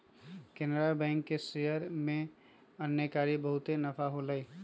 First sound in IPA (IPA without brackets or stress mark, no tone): k